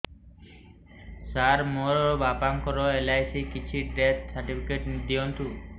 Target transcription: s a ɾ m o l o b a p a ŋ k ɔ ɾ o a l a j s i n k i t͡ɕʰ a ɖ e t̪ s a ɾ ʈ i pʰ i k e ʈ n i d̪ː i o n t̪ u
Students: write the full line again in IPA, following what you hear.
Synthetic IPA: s a ɾ m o ɾ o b a p a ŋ k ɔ ɾ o e l a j s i k i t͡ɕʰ i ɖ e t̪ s a ɾ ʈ i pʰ i k e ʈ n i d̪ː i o n t̪ u